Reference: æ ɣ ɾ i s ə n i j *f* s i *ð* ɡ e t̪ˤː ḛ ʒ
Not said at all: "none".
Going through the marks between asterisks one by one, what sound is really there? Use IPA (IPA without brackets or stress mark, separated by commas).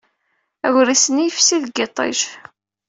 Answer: f, ð